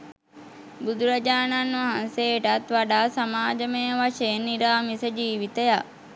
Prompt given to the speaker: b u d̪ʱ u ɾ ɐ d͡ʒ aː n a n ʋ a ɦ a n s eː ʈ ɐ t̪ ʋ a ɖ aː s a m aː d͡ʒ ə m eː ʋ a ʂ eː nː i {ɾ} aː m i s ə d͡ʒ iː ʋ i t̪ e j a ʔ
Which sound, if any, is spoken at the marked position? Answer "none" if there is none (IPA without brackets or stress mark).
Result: ɾ